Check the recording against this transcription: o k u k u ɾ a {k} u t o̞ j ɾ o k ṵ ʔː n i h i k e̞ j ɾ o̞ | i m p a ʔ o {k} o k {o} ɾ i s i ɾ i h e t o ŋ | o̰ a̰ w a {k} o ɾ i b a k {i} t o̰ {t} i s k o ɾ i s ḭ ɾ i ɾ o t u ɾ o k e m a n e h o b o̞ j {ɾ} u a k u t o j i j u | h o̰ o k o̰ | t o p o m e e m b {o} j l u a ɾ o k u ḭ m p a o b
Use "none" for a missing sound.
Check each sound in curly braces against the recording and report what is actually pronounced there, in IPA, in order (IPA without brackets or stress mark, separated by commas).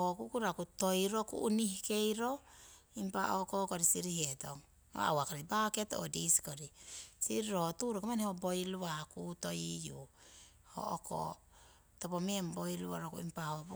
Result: k, k, o, k, e, d, l, o